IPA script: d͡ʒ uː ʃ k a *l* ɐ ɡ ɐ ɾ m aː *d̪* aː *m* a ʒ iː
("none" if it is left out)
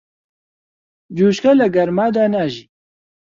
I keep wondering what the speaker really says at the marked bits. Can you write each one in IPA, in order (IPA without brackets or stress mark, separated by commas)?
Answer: l, d̪, n